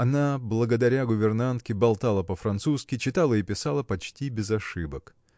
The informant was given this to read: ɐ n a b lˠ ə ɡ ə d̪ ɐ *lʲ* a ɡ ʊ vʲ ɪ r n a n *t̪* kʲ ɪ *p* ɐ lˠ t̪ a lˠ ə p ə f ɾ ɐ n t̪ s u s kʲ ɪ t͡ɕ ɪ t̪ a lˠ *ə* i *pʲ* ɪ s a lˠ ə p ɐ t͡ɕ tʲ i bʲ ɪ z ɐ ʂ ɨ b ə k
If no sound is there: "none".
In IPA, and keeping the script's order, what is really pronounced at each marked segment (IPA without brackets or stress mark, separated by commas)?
ɾʲ, t̪, b, ə, pʲ